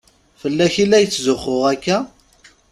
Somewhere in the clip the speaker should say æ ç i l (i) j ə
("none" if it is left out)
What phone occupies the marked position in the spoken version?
æ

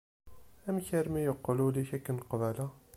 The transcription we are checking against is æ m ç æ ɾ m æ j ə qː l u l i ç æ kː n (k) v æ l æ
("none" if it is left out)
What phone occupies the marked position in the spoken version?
q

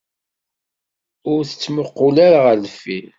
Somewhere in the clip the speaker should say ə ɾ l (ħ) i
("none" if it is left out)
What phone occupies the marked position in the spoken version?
f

